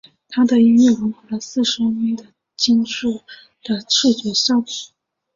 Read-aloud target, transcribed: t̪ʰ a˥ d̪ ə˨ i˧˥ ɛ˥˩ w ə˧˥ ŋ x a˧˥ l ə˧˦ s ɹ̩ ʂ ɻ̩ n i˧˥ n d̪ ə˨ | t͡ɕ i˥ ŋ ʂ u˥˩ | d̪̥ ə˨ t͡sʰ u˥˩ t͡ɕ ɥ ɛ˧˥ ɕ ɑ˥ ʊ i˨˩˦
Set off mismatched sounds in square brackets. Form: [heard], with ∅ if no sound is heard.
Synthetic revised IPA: t̪ʰ a˥ d̪ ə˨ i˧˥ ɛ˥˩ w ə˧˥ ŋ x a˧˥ l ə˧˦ s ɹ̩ ʂ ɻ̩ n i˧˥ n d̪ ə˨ | t͡ɕ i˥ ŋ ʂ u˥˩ | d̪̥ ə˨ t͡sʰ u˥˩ t͡ɕ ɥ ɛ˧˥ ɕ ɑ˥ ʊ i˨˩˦